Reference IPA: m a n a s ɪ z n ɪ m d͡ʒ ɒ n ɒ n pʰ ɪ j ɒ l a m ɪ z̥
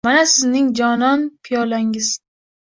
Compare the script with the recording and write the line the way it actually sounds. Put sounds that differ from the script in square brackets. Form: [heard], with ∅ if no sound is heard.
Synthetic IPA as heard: m a n a s ɪ z n ɪ [ŋ] d͡ʒ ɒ n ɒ n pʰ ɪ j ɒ l a [ŋ] ɪ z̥